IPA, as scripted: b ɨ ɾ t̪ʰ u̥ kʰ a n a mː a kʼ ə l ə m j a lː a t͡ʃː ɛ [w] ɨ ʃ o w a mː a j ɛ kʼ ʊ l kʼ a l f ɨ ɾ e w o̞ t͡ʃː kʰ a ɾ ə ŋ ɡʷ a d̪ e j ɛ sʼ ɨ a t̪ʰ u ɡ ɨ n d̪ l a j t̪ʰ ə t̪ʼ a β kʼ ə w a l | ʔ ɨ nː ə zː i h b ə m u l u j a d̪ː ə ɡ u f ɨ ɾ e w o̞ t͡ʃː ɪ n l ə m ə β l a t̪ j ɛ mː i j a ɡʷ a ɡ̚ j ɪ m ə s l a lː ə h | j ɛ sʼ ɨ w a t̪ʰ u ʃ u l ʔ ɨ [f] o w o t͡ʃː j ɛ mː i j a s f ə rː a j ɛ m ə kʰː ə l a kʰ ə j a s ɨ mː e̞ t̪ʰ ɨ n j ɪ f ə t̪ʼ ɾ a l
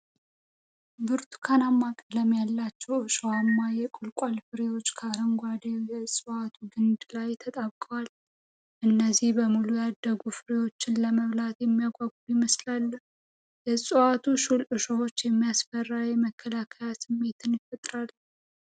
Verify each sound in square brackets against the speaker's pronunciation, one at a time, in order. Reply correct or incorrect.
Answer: correct, incorrect

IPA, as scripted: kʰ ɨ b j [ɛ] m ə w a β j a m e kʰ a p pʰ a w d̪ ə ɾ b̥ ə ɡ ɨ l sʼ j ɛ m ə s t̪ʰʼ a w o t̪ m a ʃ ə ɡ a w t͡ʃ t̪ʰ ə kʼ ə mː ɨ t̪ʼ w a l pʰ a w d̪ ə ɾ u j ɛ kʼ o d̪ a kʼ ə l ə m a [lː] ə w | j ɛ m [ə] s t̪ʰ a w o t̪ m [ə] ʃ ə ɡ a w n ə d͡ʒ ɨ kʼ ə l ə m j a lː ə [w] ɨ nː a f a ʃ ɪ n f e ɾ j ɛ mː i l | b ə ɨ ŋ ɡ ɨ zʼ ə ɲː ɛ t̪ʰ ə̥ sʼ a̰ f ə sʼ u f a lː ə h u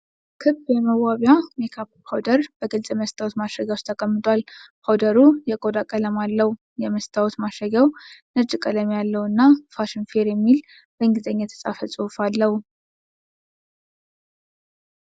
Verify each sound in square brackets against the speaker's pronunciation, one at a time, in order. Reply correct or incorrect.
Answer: correct, correct, correct, incorrect, correct

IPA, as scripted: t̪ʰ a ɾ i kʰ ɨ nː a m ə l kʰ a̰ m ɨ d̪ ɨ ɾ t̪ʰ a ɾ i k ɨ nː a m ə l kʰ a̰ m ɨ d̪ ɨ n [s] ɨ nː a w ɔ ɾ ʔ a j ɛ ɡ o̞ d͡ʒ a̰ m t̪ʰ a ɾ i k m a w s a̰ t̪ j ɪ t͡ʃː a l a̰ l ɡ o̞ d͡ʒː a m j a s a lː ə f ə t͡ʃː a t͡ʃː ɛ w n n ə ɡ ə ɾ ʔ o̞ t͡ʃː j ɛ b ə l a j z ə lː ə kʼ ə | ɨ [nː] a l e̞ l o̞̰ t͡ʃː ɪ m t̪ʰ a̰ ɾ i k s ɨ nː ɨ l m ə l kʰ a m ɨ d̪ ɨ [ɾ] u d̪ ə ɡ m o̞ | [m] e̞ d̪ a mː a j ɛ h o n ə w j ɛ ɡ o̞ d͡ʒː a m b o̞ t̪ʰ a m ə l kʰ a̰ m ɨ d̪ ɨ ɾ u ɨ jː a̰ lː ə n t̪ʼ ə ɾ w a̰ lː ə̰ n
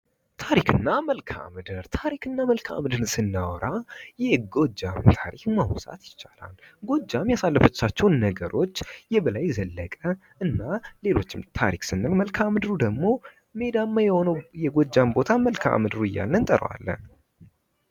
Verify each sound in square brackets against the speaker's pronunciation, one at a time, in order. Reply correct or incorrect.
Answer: correct, correct, correct, correct

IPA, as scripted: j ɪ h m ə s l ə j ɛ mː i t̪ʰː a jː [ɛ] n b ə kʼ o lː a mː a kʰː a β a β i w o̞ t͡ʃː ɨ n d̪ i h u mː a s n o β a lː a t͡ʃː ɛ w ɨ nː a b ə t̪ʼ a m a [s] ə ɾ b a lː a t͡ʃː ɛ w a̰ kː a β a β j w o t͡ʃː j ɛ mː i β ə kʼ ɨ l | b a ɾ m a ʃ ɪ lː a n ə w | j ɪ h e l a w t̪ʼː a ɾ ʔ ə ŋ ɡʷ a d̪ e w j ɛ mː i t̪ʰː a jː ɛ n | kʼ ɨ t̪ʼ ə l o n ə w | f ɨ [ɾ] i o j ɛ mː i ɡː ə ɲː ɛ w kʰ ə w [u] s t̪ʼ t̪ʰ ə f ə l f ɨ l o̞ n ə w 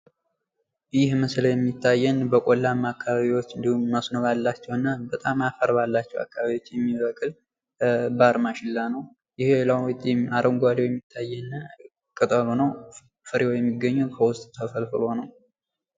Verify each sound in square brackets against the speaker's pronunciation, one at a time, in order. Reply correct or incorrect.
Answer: correct, incorrect, correct, incorrect

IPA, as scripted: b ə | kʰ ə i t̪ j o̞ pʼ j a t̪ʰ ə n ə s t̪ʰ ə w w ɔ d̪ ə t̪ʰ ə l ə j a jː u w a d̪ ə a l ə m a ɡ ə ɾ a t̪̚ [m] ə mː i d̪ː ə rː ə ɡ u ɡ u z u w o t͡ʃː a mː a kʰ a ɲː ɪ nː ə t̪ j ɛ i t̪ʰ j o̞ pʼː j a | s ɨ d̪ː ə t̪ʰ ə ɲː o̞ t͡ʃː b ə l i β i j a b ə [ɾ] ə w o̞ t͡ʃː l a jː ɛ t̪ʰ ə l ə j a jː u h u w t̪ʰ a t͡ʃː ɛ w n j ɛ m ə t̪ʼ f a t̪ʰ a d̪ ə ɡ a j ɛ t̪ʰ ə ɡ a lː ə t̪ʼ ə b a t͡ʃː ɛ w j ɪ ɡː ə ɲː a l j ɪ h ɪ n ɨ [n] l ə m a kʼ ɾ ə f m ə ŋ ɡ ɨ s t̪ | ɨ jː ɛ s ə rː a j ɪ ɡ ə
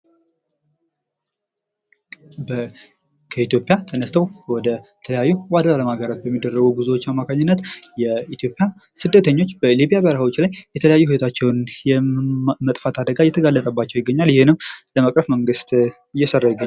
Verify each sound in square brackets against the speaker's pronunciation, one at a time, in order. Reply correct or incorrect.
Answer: incorrect, correct, incorrect

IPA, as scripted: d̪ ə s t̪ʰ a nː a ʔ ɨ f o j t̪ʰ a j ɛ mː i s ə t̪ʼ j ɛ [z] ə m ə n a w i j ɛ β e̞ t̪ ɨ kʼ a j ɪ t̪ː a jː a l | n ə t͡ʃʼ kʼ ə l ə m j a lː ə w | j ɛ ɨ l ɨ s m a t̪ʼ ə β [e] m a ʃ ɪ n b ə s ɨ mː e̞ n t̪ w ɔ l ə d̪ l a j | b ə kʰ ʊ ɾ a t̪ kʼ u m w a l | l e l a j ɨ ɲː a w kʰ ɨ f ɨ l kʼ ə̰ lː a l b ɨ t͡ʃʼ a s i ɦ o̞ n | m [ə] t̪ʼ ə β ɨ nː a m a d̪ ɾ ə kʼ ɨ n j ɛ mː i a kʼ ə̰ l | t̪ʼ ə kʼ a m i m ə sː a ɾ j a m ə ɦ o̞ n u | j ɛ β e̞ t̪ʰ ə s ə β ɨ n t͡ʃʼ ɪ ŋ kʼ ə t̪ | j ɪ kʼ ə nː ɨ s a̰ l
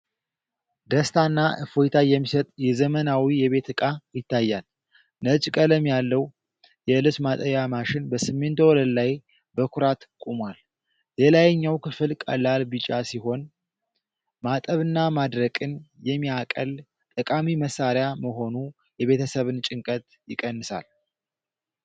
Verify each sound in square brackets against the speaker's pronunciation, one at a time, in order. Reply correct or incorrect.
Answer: correct, incorrect, incorrect

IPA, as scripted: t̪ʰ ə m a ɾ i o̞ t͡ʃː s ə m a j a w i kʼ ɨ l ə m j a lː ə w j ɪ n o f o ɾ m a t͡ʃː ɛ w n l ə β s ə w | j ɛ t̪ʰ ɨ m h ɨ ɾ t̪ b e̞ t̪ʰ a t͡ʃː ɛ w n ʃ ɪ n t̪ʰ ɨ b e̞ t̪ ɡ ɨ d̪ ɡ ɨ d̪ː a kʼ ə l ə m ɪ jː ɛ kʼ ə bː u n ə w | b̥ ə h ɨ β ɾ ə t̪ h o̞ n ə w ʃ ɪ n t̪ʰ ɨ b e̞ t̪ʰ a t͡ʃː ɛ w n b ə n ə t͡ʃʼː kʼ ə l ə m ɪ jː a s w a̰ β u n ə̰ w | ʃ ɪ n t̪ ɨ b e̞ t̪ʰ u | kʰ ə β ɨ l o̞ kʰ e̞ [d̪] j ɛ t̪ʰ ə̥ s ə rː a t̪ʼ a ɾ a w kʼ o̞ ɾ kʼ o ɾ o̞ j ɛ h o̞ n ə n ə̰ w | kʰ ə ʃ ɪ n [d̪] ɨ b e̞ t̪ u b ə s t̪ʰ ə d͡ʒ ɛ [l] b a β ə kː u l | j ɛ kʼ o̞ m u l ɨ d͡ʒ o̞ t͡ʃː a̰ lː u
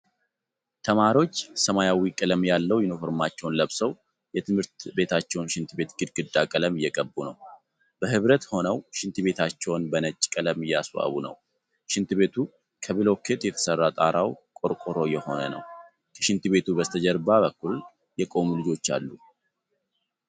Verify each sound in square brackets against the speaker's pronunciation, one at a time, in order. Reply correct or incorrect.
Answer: incorrect, incorrect, incorrect

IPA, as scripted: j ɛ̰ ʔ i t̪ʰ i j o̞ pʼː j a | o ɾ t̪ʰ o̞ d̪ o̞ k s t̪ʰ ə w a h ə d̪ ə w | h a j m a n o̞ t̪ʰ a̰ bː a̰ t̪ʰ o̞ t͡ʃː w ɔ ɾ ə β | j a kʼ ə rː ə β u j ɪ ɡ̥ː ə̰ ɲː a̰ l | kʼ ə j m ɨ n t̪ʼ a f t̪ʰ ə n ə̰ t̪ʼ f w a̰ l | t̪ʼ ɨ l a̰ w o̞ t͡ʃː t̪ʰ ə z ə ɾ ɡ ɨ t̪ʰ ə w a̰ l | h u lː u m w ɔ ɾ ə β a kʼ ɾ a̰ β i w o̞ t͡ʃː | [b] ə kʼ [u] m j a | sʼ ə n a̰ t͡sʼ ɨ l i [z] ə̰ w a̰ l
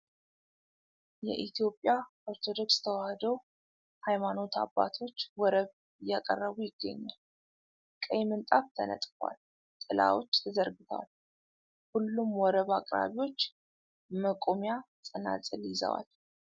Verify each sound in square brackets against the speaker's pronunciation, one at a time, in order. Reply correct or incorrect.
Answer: incorrect, incorrect, correct

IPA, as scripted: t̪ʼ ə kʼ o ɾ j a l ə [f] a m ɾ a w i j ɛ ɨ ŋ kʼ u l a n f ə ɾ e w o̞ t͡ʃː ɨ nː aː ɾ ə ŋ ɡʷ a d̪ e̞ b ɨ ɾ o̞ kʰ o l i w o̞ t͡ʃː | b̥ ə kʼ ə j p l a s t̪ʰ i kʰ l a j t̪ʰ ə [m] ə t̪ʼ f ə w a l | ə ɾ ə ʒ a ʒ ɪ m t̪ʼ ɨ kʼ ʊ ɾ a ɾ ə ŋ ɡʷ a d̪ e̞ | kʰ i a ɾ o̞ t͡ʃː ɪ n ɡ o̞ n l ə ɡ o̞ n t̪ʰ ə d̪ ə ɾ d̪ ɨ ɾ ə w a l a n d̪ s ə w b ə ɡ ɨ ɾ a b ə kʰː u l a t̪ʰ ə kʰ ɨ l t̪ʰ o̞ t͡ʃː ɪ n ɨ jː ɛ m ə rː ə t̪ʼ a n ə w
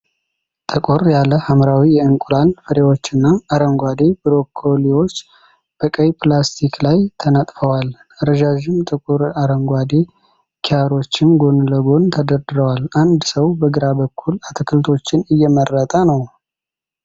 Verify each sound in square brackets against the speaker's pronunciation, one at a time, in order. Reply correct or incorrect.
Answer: incorrect, incorrect

